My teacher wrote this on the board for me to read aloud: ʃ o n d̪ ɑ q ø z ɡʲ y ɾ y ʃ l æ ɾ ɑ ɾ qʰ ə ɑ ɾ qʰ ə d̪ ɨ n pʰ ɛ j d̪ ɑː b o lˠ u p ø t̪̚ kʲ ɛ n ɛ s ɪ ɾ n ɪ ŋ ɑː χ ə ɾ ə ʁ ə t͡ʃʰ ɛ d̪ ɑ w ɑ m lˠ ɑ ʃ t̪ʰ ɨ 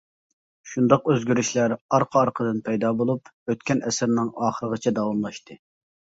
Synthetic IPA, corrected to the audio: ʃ u n d̪ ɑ q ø z ɡʲ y ɾ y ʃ l æ ɾ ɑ ɾ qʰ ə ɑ ɾ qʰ ə d̪ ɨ n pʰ ɛ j d̪ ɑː b o lˠ u p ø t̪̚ kʲ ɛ n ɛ s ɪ ɾ n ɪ ŋ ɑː χ ə ɾ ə ʁ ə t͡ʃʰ ɛ d̪ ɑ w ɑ m lˠ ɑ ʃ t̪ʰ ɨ